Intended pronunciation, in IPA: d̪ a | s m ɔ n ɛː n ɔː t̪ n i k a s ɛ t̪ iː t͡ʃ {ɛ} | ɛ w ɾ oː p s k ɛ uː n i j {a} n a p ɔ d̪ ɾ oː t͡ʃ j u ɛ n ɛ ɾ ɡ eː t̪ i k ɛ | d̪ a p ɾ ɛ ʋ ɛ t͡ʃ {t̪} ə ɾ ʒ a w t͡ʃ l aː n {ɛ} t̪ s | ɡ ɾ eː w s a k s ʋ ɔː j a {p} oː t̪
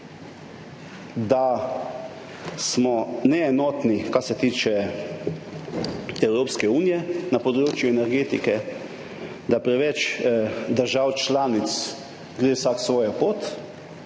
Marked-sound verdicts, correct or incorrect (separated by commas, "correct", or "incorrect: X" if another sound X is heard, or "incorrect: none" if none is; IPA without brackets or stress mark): correct, incorrect: ɛ, incorrect: d̪, incorrect: i, correct